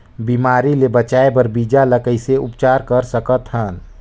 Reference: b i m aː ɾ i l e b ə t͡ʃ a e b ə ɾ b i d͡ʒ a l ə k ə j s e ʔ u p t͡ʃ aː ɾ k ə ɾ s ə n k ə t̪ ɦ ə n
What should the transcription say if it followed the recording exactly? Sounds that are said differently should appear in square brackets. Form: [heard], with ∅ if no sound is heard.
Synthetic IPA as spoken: b i m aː ɾ i l e b ə t͡ʃ a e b ə ɾ b i d͡ʒ a l ə k ə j s e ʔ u p t͡ʃ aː ɾ k ə ɾ s ə [∅] k ə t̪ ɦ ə n